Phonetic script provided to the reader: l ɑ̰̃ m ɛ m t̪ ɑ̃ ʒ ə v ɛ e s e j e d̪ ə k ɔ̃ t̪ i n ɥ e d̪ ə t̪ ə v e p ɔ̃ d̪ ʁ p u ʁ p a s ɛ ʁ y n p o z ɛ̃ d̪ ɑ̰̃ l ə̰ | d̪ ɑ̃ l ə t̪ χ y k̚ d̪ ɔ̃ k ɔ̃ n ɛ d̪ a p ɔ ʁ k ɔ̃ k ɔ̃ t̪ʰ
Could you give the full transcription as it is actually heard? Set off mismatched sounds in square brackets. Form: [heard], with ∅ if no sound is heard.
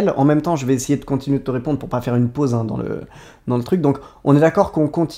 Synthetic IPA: l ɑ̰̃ m ɛ m t̪ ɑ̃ ʒ ə v ɛ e s e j e d̪ ə k ɔ̃ t̪ i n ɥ e d̪ ə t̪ ə [ʁ] e p ɔ̃ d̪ ʁ p u ʁ p a [f] ɛ ʁ y n p o z ɛ̃ d̪ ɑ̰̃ l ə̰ | d̪ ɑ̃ l ə t̪ χ y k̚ d̪ ɔ̃ k ɔ̃ n ɛ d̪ a [k] ɔ ʁ k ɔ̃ k ɔ̃ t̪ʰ